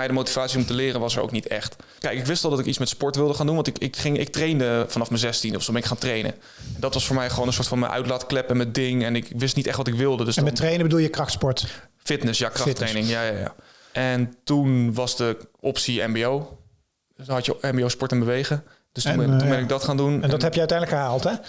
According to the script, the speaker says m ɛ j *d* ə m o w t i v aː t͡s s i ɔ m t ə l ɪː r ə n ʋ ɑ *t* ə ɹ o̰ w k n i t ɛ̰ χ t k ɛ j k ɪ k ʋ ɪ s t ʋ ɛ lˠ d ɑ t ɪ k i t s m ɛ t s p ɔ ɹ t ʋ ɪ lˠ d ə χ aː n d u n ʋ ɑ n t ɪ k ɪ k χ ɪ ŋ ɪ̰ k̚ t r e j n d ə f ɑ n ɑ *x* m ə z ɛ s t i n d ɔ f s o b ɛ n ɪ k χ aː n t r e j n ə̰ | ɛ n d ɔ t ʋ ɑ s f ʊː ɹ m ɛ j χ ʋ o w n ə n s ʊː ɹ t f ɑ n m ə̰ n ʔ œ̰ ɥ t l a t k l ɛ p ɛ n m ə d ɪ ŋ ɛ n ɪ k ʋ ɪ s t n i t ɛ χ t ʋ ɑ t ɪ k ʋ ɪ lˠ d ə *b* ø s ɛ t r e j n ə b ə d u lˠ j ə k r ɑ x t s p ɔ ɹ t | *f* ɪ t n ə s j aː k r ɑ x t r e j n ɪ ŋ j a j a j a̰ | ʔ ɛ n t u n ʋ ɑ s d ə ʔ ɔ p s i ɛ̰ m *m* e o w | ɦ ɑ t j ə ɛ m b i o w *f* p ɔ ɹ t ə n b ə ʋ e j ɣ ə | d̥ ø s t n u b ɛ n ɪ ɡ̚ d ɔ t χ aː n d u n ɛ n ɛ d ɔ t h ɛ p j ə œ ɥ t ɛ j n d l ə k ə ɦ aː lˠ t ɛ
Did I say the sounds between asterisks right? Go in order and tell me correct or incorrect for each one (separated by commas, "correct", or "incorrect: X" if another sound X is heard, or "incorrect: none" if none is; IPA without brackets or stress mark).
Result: correct, incorrect: s, incorrect: f, incorrect: d, correct, incorrect: b, incorrect: s